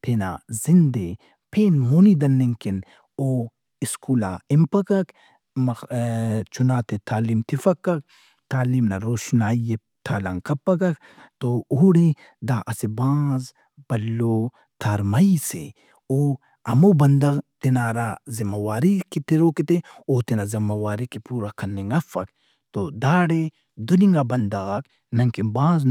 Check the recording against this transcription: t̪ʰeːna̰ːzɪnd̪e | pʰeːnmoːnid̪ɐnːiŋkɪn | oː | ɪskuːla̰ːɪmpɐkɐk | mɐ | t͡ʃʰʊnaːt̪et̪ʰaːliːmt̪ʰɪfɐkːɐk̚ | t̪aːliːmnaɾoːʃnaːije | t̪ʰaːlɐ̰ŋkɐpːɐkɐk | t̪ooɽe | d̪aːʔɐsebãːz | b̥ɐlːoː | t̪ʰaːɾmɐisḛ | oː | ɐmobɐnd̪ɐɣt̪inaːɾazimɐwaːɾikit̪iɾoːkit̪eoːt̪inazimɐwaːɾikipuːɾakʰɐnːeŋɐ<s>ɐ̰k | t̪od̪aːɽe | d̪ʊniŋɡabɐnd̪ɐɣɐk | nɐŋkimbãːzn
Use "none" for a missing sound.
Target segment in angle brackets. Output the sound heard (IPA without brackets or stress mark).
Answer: f